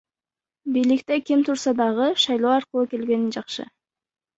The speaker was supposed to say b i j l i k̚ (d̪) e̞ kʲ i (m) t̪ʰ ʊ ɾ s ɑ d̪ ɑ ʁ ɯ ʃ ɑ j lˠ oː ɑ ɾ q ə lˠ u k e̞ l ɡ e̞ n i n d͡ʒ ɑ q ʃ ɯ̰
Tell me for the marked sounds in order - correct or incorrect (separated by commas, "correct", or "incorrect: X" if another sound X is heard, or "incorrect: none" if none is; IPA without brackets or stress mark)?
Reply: incorrect: t̪, correct